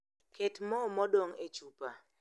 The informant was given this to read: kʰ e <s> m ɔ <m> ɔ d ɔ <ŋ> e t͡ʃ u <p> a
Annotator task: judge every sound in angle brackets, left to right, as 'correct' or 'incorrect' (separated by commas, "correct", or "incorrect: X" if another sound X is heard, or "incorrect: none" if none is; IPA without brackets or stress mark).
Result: incorrect: t, correct, correct, correct